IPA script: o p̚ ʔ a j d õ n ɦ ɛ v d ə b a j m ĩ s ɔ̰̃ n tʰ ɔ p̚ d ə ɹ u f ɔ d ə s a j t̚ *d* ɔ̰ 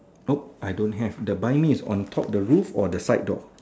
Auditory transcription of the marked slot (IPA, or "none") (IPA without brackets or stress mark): d